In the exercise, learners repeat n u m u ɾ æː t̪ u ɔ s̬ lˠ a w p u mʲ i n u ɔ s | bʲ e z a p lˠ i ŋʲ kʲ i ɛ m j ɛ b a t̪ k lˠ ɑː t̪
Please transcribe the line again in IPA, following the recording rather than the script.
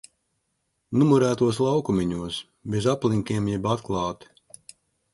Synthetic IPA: n u m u ɾ æː t̪ u ɔ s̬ lˠ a w k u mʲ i ɲ u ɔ s | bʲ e z a p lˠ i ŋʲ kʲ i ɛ m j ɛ b a t̪ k lˠ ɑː t̪